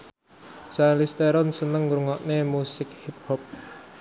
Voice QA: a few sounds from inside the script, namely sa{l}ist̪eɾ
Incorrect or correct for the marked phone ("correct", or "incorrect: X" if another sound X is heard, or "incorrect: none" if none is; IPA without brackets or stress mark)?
correct